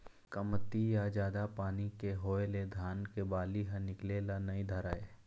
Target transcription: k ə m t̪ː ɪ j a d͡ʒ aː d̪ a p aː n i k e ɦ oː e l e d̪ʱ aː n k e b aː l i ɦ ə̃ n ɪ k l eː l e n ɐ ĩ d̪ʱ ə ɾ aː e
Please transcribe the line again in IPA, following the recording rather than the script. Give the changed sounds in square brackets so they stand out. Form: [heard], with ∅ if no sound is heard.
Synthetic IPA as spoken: k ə m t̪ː [i] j a d͡ʒ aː d̪ a p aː n i k e ɦ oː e l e d̪ʱ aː n k e b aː l i ɦ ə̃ n ɪ k l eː l [a] n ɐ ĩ d̪ʱ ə ɾ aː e